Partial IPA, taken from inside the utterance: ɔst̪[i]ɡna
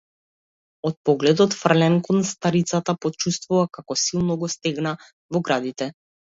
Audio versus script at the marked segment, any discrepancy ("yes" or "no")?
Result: yes